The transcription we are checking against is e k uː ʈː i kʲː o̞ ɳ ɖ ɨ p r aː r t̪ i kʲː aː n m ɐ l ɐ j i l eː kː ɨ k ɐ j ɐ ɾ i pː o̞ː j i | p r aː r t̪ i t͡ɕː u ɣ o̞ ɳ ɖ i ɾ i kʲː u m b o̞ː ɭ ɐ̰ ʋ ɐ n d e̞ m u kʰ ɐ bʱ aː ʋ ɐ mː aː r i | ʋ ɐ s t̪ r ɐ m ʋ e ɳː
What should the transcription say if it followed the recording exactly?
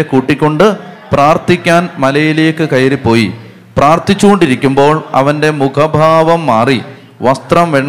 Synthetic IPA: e k uː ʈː i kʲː o̞ ɳ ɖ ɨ p r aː r t̪ i kʲː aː n m ɐ l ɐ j i l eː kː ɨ k ɐ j ɐ ɾ i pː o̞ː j i | p r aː r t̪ i t͡ɕː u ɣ o̞ ɳ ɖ i ɾ i kʲː u m b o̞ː ɭ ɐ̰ ʋ ɐ n d e̞ m u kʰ ɐ bʱ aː ʋ ɐ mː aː r i | ʋ ɐ s t̪ r ɐ m ʋ e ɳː